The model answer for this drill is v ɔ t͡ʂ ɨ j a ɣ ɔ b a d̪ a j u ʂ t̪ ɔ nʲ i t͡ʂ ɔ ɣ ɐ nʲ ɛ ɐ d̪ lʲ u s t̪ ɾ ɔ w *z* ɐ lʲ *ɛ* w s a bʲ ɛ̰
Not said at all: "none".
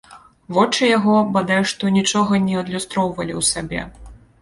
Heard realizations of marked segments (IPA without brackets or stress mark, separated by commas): v, i